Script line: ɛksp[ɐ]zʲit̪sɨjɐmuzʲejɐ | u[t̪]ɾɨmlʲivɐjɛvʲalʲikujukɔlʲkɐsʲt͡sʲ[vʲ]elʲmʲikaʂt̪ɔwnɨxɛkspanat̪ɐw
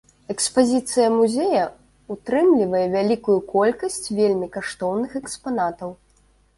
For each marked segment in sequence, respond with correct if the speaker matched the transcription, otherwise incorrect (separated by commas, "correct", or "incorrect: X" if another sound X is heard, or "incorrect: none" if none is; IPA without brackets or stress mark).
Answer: incorrect: a, correct, correct